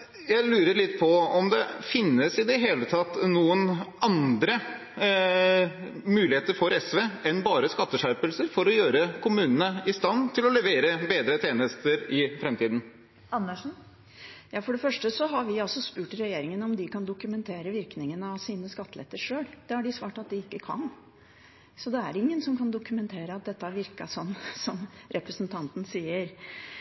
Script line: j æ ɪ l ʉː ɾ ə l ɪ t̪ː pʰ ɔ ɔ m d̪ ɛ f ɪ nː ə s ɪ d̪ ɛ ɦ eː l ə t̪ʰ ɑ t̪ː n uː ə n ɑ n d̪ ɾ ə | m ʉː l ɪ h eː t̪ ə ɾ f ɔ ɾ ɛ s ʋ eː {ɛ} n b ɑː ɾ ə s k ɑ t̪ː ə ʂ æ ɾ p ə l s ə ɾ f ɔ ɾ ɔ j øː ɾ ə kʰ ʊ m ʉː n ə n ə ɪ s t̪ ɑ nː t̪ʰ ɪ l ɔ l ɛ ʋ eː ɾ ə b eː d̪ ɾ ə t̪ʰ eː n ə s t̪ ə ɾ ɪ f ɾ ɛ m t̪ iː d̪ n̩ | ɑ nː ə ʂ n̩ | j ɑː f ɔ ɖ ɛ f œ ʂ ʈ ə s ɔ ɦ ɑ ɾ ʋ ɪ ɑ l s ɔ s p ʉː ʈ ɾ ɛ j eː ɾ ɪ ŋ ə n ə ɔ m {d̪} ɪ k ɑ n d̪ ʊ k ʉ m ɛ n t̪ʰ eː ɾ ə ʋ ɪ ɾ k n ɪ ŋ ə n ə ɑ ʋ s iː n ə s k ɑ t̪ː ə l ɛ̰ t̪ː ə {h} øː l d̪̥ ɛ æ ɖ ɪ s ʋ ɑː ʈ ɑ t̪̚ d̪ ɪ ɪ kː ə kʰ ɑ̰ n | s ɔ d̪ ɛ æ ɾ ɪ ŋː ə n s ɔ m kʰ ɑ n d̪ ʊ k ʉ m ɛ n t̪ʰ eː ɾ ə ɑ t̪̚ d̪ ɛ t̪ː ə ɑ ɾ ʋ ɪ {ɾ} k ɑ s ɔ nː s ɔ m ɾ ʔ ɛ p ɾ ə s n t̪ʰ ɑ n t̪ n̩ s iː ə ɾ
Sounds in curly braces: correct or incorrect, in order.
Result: correct, correct, incorrect, correct

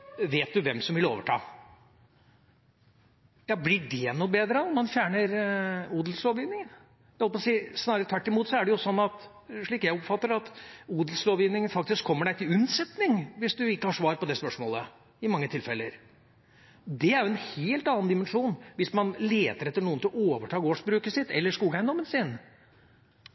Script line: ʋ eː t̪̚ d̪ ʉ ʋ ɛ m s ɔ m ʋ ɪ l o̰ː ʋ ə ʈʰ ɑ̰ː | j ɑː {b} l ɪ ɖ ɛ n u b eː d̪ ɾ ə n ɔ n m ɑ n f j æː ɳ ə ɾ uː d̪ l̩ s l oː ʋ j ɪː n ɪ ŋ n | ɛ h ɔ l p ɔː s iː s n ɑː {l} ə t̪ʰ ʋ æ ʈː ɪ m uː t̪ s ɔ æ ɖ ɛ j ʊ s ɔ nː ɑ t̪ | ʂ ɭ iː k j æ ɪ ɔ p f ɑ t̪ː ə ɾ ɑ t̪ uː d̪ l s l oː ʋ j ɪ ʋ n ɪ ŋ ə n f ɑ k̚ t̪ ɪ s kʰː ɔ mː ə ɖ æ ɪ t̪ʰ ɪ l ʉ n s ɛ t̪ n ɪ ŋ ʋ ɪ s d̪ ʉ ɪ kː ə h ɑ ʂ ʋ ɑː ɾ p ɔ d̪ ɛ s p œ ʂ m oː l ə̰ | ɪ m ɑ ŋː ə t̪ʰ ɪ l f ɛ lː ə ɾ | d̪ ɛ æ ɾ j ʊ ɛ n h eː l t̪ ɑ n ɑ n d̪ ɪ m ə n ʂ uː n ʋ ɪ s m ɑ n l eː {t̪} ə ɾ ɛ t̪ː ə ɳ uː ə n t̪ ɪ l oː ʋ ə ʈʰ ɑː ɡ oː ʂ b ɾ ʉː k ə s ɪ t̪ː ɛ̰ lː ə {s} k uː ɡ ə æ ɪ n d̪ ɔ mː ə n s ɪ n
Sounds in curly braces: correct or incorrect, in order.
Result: correct, incorrect, correct, incorrect

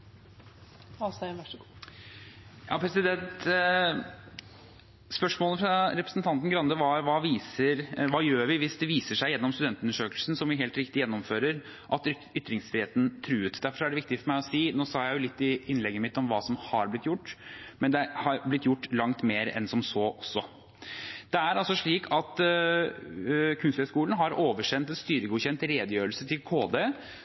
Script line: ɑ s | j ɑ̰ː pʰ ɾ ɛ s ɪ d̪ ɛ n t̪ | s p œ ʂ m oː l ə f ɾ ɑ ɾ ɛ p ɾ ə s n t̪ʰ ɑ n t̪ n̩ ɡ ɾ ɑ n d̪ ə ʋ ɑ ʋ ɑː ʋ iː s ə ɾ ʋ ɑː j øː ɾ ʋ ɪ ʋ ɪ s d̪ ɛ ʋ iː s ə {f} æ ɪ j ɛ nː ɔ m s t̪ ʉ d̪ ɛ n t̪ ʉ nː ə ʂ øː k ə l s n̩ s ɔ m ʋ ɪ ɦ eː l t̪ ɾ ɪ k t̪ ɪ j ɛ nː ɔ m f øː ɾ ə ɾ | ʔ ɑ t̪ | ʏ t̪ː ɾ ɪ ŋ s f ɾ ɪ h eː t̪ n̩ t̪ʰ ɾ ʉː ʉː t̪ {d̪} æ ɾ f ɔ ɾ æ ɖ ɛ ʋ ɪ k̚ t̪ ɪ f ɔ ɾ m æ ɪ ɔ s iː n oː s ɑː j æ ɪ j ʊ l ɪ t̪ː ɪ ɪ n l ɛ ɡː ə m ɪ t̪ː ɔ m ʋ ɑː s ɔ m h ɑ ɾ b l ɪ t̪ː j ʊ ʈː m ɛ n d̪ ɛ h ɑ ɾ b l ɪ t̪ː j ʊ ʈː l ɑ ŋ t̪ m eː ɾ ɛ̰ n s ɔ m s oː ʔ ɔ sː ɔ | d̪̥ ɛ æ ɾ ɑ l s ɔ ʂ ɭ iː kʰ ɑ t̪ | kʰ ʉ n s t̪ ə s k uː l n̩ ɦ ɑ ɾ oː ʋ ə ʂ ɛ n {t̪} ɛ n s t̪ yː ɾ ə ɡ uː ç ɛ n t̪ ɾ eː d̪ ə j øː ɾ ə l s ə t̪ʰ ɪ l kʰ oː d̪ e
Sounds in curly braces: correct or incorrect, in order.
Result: incorrect, correct, correct

